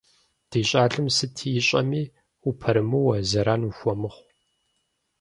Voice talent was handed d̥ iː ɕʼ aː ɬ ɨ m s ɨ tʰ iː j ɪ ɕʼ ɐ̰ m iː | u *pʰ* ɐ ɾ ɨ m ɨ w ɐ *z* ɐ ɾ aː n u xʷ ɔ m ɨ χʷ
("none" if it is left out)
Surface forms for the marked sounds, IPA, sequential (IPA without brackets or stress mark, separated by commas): pʰ, z